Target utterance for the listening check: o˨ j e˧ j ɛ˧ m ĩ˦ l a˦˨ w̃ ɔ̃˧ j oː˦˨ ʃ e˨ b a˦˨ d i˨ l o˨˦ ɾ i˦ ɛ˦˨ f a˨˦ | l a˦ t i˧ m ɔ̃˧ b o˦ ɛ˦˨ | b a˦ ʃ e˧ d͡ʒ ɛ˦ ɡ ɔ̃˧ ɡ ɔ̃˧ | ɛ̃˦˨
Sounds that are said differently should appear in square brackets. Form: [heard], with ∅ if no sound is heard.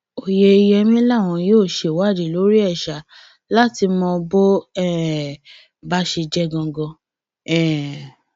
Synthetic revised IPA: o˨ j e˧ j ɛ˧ m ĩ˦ l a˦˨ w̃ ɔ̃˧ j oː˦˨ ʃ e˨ [w] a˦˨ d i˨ l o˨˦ ɾ i˦ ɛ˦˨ [ʃ] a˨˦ | l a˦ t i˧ m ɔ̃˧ b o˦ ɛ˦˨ | b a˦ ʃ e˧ d͡ʒ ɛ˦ ɡ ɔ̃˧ ɡ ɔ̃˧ | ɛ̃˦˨

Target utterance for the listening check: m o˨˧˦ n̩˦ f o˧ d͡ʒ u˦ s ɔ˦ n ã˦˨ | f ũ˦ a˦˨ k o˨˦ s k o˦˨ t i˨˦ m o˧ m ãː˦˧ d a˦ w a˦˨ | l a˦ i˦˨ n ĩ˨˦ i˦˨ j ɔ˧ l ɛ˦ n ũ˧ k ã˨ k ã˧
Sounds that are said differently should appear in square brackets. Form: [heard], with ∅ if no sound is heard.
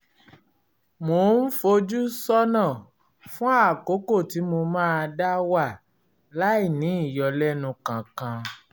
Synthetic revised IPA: m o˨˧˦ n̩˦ f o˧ d͡ʒ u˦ s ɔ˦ n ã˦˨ | f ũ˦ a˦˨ k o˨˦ [∅] k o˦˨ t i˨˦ m o˧ m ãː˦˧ d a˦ w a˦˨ | l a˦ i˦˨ n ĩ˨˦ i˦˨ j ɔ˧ l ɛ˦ n ũ˧ k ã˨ k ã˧

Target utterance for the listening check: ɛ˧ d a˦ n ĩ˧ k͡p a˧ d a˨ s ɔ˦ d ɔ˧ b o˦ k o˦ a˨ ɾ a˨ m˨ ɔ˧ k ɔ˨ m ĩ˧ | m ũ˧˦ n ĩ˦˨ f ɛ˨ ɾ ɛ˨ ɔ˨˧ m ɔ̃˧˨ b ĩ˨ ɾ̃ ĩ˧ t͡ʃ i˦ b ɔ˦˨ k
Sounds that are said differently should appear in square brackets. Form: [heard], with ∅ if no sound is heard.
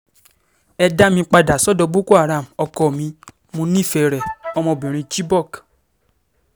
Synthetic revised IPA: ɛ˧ d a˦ [m] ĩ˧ k͡p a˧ d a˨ s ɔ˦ d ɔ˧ b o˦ k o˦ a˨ ɾ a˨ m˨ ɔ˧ k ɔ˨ m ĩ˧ | m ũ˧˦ n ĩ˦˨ f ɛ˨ ɾ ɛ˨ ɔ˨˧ m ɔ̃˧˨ b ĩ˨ ɾ̃ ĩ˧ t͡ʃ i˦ b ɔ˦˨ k

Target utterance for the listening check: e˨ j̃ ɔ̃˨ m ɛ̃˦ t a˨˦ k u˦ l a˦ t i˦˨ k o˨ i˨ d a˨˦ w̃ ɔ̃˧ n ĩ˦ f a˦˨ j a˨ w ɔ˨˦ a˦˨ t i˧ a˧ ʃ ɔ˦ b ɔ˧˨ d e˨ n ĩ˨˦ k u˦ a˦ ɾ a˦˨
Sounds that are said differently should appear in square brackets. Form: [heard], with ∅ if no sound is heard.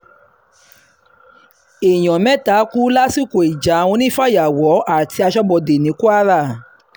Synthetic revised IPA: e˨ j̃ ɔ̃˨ m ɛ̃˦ t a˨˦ k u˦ l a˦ [s] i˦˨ k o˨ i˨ [d͡ʒ] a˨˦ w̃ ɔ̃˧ n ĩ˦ f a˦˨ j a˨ w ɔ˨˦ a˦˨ t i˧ a˧ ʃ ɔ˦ b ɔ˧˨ d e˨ n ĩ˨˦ k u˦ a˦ ɾ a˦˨

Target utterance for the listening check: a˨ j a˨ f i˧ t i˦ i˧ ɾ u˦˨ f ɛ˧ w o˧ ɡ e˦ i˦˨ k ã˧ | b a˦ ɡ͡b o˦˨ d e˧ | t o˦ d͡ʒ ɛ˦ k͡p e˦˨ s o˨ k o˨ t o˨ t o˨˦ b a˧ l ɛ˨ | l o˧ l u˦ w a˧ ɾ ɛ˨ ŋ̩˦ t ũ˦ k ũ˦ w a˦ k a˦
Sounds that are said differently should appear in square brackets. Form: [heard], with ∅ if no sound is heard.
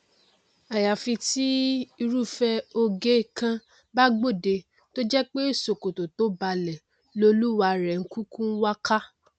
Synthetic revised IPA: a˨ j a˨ f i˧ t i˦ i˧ ɾ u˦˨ f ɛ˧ [∅] o˧ ɡ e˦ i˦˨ k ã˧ | b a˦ ɡ͡b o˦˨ d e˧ | t o˦ d͡ʒ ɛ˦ k͡p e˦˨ s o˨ k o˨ t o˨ t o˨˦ b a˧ l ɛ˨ | l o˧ l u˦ w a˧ ɾ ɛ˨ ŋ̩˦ [k] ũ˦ k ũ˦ w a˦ k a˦

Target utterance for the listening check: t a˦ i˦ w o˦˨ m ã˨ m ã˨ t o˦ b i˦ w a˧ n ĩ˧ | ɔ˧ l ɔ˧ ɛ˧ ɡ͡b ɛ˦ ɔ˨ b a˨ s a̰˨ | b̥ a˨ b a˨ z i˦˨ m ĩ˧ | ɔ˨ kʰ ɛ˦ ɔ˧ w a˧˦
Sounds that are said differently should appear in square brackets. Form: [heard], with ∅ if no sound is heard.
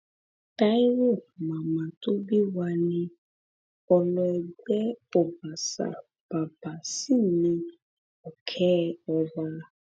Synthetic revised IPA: t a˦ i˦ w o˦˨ m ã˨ m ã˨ t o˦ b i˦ w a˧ n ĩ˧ | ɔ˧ l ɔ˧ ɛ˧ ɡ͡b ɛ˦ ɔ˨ b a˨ s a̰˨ | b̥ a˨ b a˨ [s] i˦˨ [n] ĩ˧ | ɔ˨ kʰ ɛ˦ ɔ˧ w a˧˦

